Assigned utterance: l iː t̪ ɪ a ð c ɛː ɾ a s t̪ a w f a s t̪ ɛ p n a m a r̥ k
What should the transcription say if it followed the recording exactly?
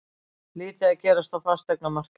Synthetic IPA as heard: l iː t̪ ɪ a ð c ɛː ɾ a s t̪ a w f a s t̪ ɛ k n a m a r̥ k